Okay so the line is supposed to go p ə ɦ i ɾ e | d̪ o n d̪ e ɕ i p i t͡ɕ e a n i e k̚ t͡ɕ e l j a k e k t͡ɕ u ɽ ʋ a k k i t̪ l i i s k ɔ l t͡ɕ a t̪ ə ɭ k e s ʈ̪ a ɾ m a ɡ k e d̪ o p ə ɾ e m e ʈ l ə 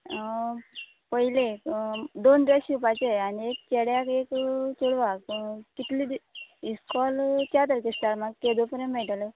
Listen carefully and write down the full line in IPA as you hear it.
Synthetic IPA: p ə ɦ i l e | d̪ o n d̪ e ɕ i p a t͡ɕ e a n i e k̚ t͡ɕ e ɽ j a k e k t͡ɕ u ɽ ʋ a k k i t̪ l i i s k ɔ l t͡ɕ a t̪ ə ɾ k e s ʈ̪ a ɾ m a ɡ k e d̪ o p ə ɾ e m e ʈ l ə